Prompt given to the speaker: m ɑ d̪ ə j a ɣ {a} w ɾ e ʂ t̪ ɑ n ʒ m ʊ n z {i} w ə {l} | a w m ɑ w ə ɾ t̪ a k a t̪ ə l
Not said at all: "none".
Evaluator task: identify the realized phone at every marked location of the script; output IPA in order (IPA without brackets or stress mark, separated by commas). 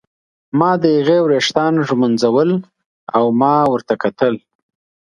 e, a, l